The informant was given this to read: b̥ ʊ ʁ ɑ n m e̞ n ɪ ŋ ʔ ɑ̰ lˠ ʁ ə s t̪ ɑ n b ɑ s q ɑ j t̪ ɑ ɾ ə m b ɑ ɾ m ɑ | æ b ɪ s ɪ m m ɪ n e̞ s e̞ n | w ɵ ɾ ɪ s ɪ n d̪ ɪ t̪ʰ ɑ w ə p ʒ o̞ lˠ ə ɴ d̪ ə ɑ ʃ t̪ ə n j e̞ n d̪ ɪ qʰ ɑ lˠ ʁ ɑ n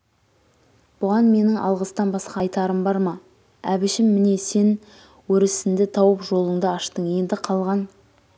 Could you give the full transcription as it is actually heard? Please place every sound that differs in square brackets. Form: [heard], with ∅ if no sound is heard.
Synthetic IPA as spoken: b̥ ʊ ʁ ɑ n m e̞ n ɪ ŋ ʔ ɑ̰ lˠ ʁ ə s t̪ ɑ n b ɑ s q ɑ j t̪ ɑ ɾ ə m b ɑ ɾ m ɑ | æ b ɪ [ʃ] ɪ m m ɪ n e̞ s e̞ n | w ɵ ɾ ɪ s ɪ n d̪ ɪ t̪ʰ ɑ w ə p ʒ o̞ lˠ ə ɴ d̪ ə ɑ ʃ t̪ ə [ɴ] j e̞ n d̪ ɪ qʰ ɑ lˠ ʁ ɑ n

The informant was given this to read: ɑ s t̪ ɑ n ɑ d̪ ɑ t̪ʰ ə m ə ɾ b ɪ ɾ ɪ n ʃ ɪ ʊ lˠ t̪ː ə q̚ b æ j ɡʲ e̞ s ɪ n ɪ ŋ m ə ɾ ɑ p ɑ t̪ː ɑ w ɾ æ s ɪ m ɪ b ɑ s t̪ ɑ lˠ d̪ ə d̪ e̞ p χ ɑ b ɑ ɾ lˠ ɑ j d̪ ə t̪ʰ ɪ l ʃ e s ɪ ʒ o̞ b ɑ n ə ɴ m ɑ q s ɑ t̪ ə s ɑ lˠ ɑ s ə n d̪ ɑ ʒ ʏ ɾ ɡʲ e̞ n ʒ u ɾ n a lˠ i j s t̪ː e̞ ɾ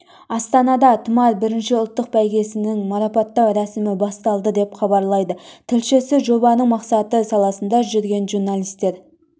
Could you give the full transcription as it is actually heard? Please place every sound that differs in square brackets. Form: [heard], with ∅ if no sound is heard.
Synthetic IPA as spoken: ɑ s t̪ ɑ n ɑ d̪ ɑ t̪ʰ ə m [ɑ] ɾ b ɪ ɾ ɪ n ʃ ɪ ʊ lˠ t̪ː ə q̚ b æ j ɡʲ e̞ s ɪ n ɪ ŋ m [ɑ] ɾ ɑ p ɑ t̪ː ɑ w ɾ æ s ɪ m ɪ b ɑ s t̪ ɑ lˠ d̪ ə d̪ e̞ p χ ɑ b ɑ ɾ lˠ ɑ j d̪ ə t̪ʰ ɪ l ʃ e s ɪ ʒ o̞ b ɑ n ə ɴ m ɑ q s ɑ t̪ ə s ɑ lˠ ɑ s ə n d̪ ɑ ʒ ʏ ɾ ɡʲ e̞ n ʒ u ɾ n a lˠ i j s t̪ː e̞ ɾ

